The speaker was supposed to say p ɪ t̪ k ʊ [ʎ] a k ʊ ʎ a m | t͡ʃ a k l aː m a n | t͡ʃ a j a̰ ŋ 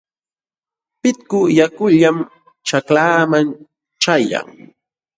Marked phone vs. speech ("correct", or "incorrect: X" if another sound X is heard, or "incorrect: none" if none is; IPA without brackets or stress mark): incorrect: j